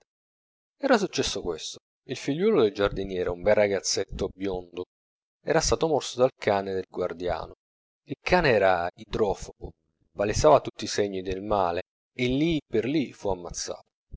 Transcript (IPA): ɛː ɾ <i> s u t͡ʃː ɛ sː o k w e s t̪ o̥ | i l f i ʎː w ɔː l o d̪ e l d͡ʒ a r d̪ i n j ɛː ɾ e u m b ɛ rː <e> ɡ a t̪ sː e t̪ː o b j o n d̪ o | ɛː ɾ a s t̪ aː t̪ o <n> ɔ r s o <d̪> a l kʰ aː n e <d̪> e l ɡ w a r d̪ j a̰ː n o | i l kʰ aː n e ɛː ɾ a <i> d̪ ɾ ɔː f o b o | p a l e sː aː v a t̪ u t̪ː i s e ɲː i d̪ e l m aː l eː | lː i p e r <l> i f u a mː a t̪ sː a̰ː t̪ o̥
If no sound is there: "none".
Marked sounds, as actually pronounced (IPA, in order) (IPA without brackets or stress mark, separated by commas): a, a, m, d̪, d̪, i, l